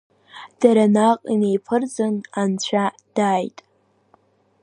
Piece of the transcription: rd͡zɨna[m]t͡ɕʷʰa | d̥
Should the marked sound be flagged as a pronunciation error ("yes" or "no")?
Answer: yes